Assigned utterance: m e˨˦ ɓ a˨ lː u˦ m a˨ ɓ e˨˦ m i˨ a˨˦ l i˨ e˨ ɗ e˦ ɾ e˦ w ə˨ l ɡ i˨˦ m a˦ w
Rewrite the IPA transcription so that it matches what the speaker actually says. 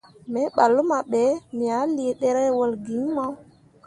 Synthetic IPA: m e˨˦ ɓ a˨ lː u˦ m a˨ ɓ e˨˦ m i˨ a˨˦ l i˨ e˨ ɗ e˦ ɾ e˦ w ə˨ l ɡ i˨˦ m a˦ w